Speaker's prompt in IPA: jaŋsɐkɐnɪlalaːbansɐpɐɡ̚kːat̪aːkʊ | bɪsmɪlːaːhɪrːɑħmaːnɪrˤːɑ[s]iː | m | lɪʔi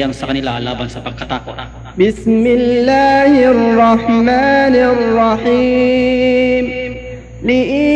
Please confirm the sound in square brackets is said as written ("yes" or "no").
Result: no